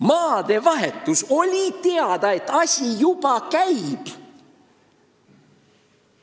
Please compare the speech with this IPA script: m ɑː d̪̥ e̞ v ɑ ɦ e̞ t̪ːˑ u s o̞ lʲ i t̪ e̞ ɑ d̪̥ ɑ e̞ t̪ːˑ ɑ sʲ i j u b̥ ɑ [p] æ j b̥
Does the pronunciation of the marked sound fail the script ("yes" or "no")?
yes